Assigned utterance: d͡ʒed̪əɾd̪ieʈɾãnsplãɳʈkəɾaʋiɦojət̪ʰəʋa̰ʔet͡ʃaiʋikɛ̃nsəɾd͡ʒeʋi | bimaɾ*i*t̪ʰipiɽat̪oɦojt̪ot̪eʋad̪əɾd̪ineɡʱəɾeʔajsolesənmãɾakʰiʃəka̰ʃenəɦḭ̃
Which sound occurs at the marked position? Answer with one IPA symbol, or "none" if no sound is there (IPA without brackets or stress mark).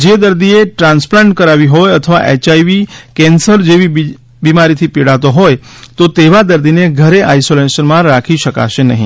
i